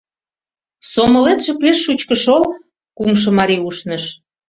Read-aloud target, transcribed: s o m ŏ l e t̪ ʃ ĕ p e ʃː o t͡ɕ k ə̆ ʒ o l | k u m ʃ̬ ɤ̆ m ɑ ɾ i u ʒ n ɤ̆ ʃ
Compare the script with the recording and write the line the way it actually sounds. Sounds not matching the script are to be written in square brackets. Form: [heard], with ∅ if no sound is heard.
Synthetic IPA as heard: s o m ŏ l e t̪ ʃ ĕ p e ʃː [u] t͡ɕ k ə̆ [ʃ] o l | k u m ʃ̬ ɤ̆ m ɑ ɾ i u [ʃ] n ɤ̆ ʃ